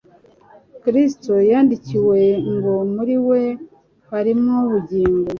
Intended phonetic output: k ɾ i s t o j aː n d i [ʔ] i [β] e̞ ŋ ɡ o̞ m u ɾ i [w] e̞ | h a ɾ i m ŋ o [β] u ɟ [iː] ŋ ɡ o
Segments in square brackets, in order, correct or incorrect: incorrect: c, incorrect: w, correct, correct, correct

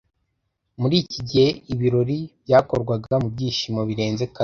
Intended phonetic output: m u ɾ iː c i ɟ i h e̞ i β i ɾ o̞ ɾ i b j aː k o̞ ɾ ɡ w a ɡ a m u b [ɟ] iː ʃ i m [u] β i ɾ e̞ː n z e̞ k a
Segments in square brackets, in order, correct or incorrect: correct, incorrect: o

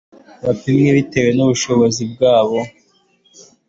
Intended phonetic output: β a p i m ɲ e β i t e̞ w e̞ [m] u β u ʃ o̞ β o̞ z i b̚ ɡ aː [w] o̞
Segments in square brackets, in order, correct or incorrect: incorrect: n, incorrect: β

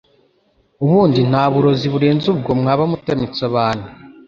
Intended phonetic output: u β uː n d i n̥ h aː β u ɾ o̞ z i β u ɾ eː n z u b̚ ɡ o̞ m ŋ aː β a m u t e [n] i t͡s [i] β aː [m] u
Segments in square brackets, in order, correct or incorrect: incorrect: m, incorrect: a, incorrect: n

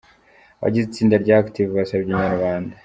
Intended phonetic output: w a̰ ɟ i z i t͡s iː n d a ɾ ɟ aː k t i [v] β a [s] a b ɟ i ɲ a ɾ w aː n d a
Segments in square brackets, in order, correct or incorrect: correct, correct

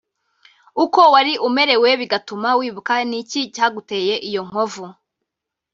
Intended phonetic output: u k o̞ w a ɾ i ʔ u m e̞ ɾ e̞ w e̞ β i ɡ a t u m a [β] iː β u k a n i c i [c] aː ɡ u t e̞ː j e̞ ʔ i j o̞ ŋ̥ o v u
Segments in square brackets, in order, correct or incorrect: incorrect: w, correct

